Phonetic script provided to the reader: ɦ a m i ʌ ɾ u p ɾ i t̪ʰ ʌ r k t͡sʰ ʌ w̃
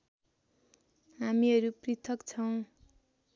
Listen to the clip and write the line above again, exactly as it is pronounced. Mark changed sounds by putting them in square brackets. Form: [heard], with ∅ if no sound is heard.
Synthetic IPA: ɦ a m i ʌ ɾ u p [r] i t̪ʰ ʌ [∅] k t͡sʰ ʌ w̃